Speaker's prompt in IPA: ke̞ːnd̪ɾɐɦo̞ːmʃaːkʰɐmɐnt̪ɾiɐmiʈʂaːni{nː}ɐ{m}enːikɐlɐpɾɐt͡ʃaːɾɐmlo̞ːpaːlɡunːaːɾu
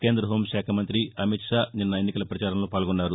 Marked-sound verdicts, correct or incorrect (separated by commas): correct, incorrect